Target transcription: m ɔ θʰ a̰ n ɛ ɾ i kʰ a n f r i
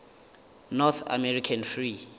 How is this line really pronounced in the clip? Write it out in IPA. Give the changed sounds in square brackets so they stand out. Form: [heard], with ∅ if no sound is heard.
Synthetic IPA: [n] ɔ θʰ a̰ [m] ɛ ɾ i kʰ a n f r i